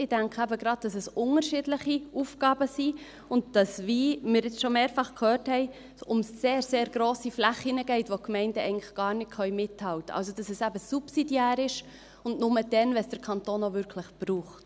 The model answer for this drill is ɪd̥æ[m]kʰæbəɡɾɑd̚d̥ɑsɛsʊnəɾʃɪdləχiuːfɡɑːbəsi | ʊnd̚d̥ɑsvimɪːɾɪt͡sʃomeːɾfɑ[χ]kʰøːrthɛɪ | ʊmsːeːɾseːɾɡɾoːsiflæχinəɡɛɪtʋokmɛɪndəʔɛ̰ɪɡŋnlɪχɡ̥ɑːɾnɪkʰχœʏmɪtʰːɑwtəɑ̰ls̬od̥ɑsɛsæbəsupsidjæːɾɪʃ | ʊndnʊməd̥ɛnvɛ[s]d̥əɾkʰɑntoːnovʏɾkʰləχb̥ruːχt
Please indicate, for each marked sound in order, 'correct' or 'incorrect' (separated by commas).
incorrect, correct, correct